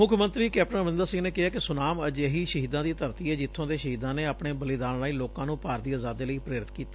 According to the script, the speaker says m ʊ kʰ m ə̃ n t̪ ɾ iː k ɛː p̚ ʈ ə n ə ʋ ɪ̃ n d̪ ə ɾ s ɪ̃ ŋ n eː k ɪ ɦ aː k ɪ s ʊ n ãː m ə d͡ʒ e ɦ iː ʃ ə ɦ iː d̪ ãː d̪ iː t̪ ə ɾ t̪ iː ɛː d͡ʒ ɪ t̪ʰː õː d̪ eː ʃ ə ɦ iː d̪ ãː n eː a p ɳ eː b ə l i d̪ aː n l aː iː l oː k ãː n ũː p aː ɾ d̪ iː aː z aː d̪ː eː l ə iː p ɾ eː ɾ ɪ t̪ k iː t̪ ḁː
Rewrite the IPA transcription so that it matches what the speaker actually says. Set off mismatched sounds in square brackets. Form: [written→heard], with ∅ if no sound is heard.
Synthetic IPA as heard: m ʊ kʰ m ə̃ n t̪ ɾ iː k ɛː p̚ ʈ ə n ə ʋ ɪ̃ n d̪ ə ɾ s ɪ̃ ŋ n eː k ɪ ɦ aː k ɪ s ʊ n [ãː→aː] m ə d͡ʒ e ɦ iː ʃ ə ɦ iː d̪ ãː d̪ iː t̪ ə ɾ t̪ iː ɛː d͡ʒ ɪ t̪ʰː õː d̪ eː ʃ ə ɦ iː d̪ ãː n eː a p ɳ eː b ə l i d̪ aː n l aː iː l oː k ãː n ũː p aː ɾ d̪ iː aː z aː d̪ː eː l ə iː p ɾ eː ɾ ɪ t̪ k iː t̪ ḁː